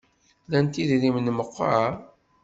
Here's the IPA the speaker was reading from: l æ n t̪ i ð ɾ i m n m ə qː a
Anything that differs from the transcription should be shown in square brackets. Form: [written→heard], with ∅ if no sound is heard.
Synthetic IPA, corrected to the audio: l æ n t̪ i ð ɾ i m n m ə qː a